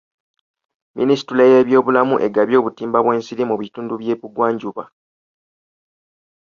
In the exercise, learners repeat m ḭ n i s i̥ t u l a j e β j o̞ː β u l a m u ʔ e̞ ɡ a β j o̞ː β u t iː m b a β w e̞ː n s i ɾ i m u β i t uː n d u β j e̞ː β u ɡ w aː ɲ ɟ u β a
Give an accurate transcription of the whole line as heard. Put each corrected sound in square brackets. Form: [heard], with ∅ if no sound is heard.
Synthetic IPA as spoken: m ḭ n i s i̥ t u l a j e β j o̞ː β u l a m u ʔ e̞ ɡ a β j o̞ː β u t iː m b a β w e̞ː n s i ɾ i m u β i t uː n d u β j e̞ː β u ɡ w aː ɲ ɟ u β a